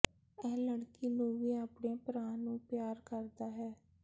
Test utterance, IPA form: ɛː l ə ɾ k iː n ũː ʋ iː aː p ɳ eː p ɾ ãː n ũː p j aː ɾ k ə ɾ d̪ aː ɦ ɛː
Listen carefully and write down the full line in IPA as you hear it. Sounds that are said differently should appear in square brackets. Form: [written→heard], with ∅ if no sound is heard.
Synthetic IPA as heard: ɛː l ə [ɾ→ɽ] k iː n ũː ʋ iː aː p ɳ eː p ɾ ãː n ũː p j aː ɾ k ə ɾ d̪ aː ɦ ɛː